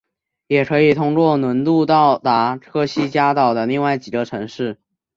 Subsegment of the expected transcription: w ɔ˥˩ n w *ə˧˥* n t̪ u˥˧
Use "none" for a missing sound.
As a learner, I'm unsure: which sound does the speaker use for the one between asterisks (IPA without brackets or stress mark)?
ə˧˥